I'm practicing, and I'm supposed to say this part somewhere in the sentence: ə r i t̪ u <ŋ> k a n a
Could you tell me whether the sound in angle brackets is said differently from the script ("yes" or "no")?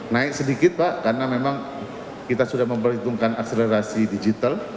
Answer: no